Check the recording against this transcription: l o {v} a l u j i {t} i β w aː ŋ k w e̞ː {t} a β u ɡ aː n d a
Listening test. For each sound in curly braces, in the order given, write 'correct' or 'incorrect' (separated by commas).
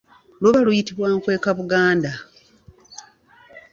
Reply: incorrect, correct, incorrect